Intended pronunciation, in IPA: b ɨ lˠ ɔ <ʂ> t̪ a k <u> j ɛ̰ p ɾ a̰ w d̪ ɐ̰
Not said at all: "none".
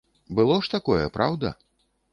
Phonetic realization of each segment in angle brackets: ʂ, ɔ

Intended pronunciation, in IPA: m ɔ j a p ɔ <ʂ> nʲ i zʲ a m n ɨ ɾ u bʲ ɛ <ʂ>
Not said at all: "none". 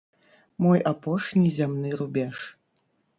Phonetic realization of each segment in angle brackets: ʂ, ʂ

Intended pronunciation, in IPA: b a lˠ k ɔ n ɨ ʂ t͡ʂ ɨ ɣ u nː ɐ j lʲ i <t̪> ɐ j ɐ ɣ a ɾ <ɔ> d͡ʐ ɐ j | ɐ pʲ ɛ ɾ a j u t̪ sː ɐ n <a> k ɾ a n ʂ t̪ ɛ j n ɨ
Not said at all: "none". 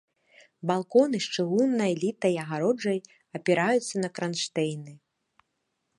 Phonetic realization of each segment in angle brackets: t̪, ɔ, ɐ

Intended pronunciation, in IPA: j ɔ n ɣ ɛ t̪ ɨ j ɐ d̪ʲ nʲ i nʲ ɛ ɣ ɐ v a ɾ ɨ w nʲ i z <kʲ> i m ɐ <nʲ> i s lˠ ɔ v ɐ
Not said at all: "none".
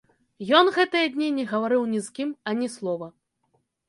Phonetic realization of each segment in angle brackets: kʲ, nʲ

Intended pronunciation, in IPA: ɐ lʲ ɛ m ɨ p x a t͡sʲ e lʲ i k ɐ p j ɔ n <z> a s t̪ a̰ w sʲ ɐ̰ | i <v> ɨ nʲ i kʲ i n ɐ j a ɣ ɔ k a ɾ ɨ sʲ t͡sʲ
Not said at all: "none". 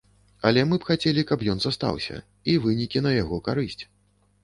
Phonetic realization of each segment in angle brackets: z, v

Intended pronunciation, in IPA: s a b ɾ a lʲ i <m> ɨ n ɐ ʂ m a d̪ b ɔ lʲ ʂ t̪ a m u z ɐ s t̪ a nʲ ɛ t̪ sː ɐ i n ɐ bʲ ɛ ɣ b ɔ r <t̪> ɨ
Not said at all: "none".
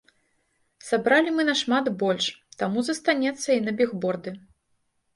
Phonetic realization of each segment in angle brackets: m, d̪

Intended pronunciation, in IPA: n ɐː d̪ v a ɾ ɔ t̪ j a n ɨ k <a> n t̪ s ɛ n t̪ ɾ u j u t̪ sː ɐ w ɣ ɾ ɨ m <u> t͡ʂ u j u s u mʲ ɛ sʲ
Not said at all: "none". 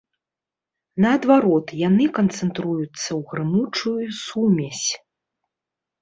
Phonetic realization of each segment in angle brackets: ɐ, u

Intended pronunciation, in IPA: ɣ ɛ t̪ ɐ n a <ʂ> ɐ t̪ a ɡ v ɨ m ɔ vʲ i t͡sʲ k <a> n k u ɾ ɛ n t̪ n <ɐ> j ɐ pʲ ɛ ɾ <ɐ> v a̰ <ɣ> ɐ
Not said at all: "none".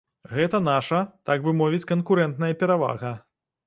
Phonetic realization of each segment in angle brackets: ʂ, ɐ, ɐ, a, ɣ

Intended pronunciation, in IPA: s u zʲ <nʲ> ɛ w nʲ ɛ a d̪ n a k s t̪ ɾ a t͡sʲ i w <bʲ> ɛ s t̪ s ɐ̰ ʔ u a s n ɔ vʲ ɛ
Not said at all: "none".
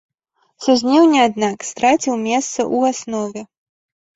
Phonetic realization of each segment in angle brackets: nʲ, mʲ

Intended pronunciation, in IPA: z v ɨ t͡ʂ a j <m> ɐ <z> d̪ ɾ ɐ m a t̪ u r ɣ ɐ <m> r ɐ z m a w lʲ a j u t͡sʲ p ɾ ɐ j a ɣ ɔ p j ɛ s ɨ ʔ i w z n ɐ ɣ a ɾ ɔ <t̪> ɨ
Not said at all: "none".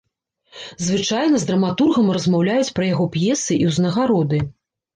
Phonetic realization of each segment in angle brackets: n, z, m, d̪

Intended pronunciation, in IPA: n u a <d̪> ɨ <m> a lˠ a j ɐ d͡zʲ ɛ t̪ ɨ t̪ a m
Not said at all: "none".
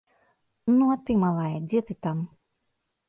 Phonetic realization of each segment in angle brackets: t̪, m

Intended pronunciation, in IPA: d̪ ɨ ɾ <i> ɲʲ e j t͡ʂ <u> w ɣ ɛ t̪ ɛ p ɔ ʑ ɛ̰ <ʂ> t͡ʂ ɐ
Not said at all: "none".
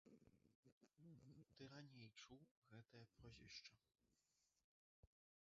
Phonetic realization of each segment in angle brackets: a, u, ʂ

